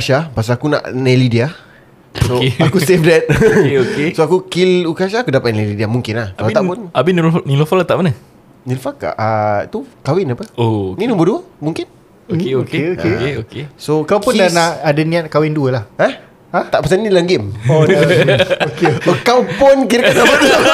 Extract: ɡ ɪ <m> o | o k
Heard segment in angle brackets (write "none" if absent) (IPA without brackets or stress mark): m